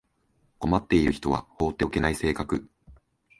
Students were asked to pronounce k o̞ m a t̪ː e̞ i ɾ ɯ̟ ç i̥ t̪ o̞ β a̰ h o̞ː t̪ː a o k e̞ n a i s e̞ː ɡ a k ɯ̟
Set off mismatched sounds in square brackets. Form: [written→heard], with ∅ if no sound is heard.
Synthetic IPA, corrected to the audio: k o̞ m a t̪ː e̞ i ɾ ɯ̟ ç i̥ t̪ o̞ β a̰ h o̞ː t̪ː [a→e] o k e̞ n a i s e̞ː [ɡ→k] a k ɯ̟